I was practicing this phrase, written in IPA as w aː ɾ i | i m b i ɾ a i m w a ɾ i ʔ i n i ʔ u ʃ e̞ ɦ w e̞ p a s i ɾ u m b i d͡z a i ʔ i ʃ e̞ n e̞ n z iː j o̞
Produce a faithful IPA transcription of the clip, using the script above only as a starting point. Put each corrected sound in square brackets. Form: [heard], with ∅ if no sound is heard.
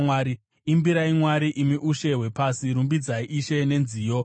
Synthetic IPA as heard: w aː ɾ i | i m b i ɾ a i m w a ɾ i ʔ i [m] i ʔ u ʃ e̞ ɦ w e̞ p a s i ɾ u m b i d͡z a i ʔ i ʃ e̞ n e̞ n z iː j o̞